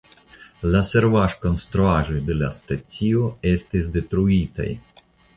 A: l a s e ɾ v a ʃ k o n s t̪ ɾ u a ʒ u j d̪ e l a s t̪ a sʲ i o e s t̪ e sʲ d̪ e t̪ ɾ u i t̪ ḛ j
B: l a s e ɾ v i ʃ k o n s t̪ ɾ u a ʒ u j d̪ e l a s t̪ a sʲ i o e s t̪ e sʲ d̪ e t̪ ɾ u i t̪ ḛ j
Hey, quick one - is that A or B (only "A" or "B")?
A